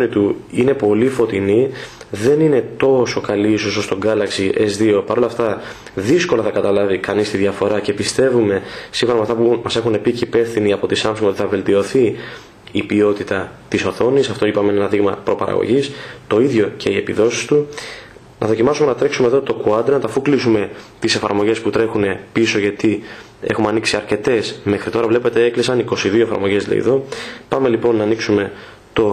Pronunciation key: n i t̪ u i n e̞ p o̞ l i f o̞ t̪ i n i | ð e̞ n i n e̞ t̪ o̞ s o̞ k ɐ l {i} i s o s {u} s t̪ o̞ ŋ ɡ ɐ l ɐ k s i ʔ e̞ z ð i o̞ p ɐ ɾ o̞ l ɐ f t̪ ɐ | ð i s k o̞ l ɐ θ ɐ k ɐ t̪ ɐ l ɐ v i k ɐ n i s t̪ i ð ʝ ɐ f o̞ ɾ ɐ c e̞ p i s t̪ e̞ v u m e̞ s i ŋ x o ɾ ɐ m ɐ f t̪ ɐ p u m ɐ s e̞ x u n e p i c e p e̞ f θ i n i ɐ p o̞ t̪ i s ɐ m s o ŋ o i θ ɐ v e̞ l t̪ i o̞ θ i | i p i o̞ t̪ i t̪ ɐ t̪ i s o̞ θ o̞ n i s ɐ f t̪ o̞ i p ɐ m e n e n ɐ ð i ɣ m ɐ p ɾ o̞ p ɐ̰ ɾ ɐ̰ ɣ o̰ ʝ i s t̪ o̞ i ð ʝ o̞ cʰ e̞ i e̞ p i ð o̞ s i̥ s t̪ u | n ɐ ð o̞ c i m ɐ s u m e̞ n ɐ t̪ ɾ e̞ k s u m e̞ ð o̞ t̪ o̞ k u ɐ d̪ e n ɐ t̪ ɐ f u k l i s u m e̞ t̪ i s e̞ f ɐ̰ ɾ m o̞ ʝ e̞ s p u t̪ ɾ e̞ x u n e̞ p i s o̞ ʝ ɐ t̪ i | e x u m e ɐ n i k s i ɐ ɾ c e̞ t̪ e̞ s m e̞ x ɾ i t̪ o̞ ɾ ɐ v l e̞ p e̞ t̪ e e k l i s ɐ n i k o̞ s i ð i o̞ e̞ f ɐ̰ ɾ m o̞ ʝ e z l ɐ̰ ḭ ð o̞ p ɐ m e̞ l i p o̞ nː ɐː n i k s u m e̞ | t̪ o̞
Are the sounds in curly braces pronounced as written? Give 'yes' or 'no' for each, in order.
yes, no

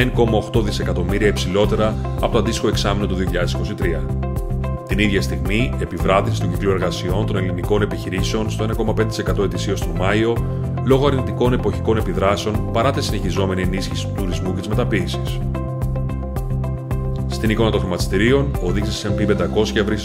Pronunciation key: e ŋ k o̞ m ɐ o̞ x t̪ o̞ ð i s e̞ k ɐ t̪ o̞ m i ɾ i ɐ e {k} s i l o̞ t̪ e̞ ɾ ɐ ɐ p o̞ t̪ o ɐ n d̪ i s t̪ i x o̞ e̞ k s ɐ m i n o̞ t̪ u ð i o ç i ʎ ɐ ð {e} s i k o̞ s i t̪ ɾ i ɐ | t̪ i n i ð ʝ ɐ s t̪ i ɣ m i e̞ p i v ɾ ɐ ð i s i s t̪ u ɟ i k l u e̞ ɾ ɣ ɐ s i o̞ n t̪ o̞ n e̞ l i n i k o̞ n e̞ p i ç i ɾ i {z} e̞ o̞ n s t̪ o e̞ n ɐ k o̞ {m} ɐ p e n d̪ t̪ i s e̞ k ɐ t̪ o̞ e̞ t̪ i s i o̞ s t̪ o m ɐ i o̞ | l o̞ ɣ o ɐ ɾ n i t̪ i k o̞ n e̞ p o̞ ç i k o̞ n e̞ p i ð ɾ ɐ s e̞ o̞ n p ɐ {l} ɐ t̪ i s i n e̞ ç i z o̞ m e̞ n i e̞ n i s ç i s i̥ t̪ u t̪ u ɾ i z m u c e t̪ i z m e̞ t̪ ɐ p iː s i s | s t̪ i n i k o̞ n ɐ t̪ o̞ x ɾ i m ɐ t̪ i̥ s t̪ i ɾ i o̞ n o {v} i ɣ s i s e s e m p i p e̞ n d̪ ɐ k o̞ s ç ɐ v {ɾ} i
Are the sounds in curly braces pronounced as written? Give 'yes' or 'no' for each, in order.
no, yes, no, yes, no, no, yes

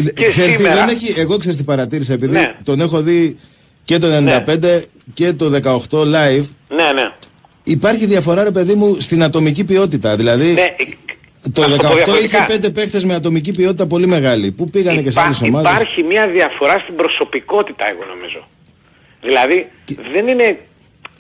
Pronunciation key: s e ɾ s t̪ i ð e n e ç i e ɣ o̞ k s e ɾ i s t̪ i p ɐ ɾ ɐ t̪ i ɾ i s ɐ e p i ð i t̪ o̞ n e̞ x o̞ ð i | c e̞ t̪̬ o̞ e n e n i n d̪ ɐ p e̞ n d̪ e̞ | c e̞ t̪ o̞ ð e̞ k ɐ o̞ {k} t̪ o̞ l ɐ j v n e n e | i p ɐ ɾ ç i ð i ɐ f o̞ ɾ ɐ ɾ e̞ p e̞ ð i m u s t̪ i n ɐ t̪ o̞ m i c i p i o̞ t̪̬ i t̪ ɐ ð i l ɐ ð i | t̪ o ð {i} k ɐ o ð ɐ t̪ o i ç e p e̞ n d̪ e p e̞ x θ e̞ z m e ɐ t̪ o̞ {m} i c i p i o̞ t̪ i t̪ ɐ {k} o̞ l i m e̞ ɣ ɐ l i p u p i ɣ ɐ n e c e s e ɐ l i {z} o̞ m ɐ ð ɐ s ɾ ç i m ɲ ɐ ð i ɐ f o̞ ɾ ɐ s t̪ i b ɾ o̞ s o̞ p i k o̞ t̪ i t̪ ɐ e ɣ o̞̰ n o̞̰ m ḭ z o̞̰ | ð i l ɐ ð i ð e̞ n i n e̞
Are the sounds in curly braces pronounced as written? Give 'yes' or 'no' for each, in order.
no, no, yes, no, no

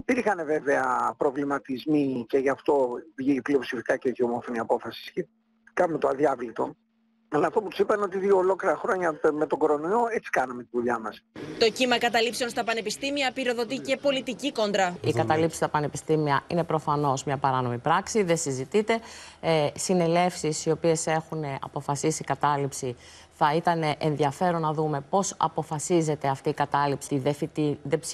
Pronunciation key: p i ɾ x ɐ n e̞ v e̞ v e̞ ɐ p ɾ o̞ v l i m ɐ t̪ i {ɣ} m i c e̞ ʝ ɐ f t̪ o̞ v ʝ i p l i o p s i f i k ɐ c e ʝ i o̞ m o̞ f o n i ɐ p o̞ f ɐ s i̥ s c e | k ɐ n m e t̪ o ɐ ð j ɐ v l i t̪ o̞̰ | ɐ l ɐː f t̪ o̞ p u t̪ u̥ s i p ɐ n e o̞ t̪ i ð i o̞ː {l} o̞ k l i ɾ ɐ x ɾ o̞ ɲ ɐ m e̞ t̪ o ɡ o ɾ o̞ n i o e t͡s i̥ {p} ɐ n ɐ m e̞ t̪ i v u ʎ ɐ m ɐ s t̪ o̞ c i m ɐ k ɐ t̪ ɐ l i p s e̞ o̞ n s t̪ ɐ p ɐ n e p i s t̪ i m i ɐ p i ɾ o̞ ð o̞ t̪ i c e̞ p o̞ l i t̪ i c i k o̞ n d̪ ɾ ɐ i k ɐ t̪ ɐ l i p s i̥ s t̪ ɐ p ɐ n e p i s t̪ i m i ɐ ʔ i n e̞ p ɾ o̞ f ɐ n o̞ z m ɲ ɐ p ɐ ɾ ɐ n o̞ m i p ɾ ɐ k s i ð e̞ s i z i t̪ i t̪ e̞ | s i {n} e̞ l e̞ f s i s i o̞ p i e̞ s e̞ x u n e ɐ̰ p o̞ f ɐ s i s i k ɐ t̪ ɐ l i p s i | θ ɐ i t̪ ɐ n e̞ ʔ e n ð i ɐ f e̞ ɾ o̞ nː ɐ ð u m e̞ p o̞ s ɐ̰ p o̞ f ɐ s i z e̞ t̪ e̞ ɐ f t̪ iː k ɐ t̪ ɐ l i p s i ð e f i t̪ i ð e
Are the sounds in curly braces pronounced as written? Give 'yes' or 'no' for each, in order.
no, yes, no, yes

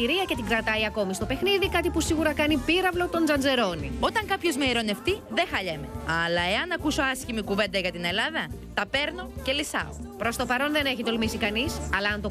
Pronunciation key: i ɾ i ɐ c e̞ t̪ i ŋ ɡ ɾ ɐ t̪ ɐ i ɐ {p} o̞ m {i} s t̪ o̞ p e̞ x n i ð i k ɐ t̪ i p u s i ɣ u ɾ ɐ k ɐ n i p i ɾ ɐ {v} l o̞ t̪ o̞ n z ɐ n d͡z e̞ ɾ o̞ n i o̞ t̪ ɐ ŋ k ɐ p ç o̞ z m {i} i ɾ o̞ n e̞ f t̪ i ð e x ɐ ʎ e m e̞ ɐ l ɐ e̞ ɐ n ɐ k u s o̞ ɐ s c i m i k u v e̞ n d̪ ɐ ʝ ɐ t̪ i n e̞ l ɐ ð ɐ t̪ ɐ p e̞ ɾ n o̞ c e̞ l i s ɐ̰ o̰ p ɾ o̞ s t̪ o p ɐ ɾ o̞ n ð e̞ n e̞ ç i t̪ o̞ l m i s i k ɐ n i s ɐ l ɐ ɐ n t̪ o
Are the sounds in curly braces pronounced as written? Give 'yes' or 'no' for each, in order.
no, yes, yes, no

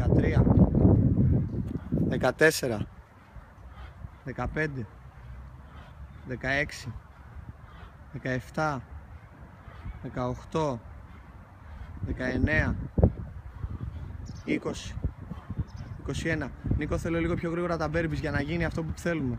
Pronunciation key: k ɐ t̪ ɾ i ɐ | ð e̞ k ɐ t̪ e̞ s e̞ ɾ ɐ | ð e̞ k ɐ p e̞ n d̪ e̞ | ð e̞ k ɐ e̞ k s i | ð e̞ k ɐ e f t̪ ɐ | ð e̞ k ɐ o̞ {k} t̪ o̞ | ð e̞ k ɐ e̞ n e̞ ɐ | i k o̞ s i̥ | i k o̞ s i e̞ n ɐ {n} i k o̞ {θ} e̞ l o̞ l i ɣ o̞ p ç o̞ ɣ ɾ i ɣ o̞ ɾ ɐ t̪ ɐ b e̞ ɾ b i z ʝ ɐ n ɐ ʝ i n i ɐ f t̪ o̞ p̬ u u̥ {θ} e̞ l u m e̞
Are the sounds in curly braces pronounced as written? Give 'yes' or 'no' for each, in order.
no, yes, yes, yes

